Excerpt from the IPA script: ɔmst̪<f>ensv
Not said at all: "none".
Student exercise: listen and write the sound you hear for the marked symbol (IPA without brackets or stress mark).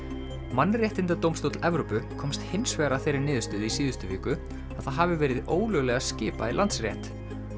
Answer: h